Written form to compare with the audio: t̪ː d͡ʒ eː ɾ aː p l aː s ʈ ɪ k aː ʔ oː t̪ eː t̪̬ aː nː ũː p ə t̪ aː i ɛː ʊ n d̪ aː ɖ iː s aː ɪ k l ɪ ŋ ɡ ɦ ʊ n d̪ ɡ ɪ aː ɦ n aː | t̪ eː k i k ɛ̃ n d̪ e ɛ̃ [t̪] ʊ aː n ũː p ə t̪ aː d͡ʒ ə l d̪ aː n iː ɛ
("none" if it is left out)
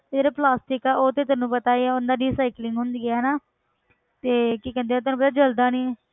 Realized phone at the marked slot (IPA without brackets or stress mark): t̪